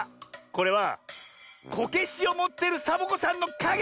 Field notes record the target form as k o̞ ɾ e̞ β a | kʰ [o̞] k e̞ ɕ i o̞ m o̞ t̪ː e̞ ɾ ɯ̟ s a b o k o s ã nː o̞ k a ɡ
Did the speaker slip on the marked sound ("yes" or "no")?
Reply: no